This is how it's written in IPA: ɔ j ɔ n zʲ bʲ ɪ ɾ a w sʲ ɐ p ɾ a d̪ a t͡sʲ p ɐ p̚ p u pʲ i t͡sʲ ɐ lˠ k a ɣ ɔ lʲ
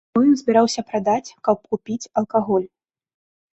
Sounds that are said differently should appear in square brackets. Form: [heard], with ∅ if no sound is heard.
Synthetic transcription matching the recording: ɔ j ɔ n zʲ bʲ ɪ ɾ a w sʲ ɐ p ɾ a d̪ a t͡sʲ [k] ɐ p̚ [k] u pʲ i t͡sʲ ɐ lˠ k a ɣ ɔ lʲ